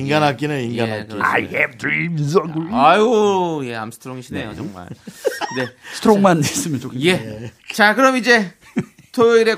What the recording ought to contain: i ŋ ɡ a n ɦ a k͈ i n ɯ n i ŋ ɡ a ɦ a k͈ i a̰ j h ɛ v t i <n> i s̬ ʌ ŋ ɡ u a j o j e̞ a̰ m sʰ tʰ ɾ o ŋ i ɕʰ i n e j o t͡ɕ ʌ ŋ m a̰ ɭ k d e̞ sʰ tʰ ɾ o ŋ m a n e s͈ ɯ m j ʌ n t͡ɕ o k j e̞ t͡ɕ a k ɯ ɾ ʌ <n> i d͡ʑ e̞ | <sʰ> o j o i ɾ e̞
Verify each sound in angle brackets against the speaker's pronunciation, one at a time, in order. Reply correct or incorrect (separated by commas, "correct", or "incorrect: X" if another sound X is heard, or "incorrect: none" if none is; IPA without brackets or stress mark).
incorrect: m, incorrect: m, incorrect: tʰ